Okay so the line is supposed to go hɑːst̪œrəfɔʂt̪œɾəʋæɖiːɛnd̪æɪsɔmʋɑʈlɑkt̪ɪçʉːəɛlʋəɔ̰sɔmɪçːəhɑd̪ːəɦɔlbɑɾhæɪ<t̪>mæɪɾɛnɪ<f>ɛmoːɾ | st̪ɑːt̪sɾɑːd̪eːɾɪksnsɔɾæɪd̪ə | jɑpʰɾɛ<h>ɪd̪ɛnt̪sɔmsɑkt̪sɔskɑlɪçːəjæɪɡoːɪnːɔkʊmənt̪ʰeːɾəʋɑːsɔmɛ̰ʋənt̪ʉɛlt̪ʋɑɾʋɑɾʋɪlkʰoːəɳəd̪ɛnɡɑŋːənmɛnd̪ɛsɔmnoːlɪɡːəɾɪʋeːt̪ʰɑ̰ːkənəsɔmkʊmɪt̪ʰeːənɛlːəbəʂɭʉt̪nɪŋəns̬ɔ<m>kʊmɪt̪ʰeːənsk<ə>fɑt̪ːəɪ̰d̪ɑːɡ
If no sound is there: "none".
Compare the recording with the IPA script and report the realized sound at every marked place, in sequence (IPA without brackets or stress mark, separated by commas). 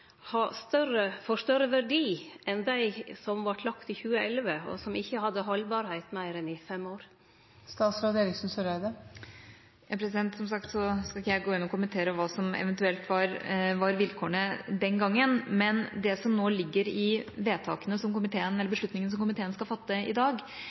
t̪, f, s, m, ɑ